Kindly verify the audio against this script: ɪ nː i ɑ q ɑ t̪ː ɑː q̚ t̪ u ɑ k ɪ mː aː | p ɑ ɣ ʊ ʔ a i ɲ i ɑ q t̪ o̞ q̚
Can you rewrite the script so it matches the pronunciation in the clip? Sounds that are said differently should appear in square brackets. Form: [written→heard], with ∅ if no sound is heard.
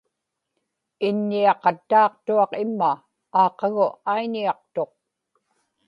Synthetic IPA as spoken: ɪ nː i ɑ q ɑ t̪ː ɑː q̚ t̪ u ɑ [k→q] ɪ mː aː | [p→q] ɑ ɣ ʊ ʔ a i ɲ i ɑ q t̪ o̞ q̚